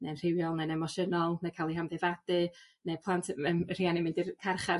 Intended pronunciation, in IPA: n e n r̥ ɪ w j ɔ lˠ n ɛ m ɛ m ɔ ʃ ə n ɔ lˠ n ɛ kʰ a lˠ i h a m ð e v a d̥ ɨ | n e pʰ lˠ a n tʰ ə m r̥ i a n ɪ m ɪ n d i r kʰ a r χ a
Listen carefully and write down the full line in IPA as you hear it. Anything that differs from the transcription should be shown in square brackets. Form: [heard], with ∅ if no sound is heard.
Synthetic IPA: n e n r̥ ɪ w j ɔ lˠ n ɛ [n] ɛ m ɔ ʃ ə n ɔ lˠ n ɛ kʰ a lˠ i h a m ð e v a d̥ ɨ | n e pʰ lˠ a n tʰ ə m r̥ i a n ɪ m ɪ n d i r kʰ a r χ a